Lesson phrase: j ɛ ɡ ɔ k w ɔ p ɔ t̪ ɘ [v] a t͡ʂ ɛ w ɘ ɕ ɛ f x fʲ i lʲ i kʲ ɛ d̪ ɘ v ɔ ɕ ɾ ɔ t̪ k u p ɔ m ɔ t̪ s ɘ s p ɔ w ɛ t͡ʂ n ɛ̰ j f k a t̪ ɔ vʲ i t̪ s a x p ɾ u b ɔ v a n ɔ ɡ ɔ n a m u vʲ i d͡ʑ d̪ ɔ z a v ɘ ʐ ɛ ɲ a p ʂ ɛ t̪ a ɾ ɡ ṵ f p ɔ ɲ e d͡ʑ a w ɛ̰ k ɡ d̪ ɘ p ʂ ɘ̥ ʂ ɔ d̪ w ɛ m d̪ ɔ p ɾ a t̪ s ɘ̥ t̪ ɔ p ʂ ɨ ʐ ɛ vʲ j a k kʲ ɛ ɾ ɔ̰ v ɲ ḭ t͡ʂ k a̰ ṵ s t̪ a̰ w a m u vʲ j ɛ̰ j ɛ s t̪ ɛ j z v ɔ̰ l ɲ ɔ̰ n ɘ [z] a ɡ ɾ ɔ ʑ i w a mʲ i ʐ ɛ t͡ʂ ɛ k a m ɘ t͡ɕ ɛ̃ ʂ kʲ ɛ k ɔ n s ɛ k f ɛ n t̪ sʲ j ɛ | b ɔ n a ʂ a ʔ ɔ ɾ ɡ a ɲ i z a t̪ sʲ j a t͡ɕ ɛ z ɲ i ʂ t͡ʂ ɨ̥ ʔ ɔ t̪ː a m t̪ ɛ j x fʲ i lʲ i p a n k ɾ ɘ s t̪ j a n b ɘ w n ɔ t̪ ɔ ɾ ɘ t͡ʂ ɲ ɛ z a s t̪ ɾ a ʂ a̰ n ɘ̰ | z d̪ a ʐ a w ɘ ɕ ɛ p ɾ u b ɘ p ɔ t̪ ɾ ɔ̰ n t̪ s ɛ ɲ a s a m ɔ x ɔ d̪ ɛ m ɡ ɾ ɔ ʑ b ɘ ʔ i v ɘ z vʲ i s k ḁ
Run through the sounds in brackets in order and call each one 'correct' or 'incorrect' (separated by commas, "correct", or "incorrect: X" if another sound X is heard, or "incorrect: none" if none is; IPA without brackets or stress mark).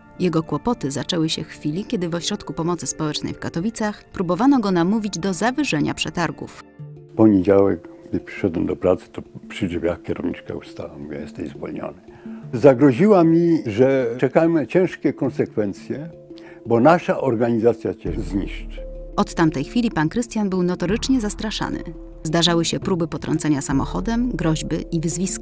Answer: incorrect: z, correct